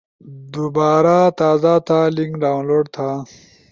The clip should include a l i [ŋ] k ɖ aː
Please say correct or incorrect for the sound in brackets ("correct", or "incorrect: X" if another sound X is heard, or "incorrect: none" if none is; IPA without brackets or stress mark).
correct